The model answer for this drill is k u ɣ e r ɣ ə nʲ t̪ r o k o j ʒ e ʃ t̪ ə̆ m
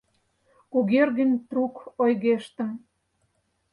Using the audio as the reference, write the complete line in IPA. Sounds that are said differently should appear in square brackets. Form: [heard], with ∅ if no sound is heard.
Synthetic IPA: k u ɣ e r ɣ ə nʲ t̪ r [u] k o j [ɣ] e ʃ t̪ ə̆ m